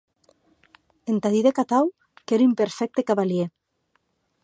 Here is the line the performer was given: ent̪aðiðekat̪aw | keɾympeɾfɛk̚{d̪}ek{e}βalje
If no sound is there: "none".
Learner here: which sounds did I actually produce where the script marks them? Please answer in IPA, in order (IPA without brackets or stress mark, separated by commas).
t̪, a